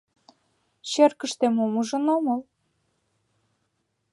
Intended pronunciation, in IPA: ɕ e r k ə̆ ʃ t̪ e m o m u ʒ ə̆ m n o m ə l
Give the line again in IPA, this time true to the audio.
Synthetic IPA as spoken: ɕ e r k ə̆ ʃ t̪ e m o m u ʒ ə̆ n o m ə l